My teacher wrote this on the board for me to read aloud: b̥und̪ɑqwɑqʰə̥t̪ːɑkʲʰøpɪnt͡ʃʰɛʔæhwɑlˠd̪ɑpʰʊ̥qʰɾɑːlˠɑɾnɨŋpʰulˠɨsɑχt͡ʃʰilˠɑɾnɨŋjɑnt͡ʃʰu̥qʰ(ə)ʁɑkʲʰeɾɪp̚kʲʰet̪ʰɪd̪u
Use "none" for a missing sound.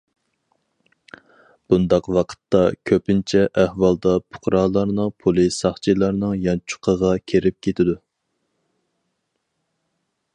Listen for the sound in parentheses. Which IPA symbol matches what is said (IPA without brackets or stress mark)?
ə